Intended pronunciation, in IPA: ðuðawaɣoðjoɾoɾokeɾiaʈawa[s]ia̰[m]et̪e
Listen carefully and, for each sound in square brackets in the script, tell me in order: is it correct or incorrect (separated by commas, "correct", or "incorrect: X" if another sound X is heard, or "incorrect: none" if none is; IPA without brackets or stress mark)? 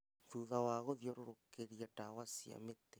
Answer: correct, correct